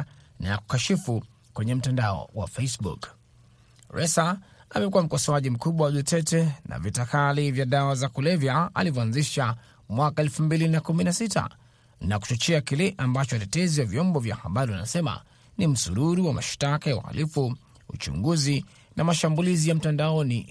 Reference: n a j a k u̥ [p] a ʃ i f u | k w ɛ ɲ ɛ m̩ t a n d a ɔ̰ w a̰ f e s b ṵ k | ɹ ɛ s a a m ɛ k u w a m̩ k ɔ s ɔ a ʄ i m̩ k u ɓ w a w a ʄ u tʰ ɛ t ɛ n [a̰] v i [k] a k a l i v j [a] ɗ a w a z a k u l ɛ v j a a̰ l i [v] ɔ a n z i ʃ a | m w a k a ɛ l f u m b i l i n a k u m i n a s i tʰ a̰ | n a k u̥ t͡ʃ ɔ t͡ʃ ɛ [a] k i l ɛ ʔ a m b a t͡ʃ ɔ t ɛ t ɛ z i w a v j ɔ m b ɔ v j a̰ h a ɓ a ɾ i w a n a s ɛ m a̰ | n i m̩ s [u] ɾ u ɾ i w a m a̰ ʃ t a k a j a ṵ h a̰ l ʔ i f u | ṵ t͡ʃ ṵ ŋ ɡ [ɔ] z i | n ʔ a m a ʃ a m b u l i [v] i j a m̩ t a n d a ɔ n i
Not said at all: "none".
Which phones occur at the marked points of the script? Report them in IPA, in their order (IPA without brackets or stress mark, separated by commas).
k, a̰, t, a, v, a, u, u, z